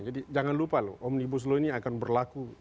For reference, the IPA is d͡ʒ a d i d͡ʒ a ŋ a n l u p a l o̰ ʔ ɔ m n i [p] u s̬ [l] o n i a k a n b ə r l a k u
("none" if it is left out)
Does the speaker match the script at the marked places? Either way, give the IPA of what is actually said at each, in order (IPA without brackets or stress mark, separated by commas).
b, l